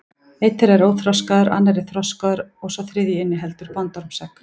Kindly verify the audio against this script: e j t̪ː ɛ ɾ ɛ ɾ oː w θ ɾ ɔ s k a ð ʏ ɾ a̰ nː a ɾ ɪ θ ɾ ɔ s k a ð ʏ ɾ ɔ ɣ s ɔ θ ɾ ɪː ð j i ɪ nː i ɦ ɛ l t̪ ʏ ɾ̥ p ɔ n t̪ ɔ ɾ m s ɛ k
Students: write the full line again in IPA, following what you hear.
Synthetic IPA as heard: e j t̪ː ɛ ɾ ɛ ɾ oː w θ ɾ ɔ s k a ð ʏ ɾ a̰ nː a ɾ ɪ θ ɾ ɔ s k a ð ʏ ɾ ɔ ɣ s ɔ θ ɾ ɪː ð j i ɪ nː ɪ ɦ ɛ l t̪ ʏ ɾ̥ p ɔ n t̪ ɔ ɾ m s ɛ k

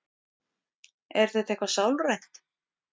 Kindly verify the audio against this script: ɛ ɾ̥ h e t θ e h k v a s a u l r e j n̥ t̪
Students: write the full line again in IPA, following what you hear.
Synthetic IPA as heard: ɛ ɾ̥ θ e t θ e h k v a s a w l r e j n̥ t̪

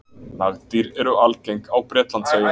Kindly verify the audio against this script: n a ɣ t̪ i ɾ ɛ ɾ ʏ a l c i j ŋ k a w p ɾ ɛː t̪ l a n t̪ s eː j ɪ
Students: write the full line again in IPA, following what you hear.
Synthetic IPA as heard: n a ɣ t̪ i ɾ ɛ ɾ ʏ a l c e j ŋ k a w p ɾ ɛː t̪ l a n t̪ s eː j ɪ

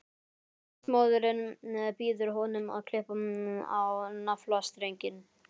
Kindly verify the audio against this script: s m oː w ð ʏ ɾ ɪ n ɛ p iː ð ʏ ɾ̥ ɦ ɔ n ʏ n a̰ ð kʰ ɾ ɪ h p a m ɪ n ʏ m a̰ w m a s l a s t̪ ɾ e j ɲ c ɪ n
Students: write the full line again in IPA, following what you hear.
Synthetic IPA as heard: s m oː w ð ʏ ɾ ɪ n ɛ p iː ð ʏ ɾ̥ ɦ ɔ n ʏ m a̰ ð kʰ l ɪ h p a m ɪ n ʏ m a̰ w n a f l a s t̪ ɾ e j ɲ c ɪ n

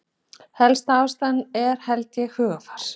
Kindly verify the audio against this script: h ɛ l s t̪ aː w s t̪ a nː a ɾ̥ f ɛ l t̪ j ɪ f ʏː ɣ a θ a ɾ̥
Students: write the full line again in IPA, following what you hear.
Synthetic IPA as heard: h ɛ l s t̪ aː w s t̪ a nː ɛ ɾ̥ h ɛ l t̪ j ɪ h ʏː ɣ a f a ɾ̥

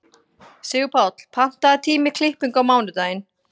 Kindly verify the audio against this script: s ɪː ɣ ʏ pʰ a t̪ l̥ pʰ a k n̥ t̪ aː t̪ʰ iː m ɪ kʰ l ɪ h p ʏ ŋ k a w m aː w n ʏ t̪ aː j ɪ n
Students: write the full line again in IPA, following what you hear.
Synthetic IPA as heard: s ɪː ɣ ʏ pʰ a t̪ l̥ pʰ a n̥ t̪ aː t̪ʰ iː m ɪ kʰ l ɪ h p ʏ ŋ k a w m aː w n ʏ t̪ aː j ɪ n

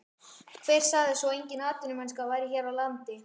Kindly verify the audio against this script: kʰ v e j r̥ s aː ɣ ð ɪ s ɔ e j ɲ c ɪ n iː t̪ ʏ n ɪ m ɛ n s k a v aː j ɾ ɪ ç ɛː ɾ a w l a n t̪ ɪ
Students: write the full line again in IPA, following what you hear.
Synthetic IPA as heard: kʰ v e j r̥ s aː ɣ ð ɪ s ɔ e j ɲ c ɪ n aː t̪ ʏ n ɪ m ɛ n s k a v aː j ɾ ɪ ç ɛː ɾ a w l a n t̪ ɪ

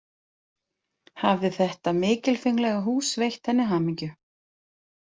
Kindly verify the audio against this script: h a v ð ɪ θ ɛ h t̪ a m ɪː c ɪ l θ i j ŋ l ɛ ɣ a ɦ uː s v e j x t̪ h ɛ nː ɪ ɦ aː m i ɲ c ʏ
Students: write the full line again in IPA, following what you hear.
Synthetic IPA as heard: h a v ð ɪ θ ɛ h t̪ a m ɪː c ɪ l f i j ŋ l ɛ ɣ a ɦ uː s v e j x t̪ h ɛ nː ɪ ɦ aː m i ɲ c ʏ

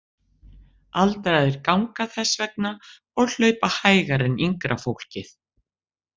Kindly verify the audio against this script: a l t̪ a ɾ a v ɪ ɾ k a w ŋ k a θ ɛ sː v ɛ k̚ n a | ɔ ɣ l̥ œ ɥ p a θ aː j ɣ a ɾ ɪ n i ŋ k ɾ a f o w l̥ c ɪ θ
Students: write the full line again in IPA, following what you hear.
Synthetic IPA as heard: a l t̪ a ɾ a ð ɪ ɾ k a w ŋ k a θ ɛ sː v ɛ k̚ n a | ɔ ɣ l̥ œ ɥ p a h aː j ɣ a ɾ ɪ n i ŋ k ɾ a f o w l̥ c ɪ θ

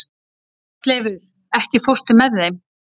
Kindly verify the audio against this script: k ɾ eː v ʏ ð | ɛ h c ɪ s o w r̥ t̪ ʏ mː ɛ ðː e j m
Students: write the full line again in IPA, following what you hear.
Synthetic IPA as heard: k l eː v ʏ ð | ɛ h c ɪ f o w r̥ t̪ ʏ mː ɛ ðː e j m

